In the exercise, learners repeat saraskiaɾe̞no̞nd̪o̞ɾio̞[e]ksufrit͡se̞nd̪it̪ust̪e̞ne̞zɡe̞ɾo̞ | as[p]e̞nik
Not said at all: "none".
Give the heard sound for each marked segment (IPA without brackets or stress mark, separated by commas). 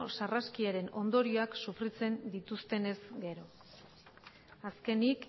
a, k